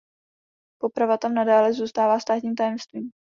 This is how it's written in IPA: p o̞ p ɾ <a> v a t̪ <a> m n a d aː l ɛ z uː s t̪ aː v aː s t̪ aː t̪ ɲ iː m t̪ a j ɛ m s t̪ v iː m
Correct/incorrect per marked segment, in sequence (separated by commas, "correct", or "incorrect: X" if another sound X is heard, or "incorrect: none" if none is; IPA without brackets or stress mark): correct, correct